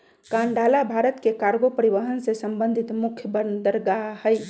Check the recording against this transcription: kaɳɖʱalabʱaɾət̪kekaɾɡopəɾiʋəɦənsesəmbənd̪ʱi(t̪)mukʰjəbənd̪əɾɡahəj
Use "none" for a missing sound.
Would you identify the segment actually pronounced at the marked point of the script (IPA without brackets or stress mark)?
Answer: t̪